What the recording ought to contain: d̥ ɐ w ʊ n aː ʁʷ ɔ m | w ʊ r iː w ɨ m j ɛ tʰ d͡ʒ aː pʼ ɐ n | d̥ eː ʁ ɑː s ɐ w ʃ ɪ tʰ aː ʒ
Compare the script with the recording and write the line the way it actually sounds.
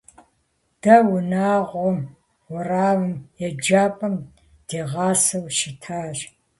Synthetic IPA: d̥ ɐ w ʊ n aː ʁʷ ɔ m | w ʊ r aː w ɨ m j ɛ d͡ʒ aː pʼ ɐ m | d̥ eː ʁ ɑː s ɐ w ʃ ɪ tʰ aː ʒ